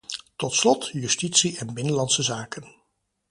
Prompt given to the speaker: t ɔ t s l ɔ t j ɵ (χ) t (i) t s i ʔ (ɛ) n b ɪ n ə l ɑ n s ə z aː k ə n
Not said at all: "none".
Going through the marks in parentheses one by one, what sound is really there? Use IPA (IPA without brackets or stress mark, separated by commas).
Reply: s, i, ɛ